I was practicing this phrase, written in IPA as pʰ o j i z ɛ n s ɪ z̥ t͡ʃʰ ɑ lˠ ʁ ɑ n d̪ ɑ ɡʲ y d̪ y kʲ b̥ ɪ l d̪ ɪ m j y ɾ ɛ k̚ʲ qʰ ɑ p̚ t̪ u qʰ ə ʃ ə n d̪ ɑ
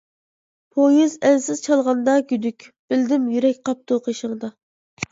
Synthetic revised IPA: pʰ o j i z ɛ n s ɪ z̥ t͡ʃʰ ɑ lˠ ʁ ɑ n d̪ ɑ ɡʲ y d̪ y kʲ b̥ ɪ l d̪ ɪ m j y ɾ ɛ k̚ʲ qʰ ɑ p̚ t̪ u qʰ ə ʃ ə ŋ d̪ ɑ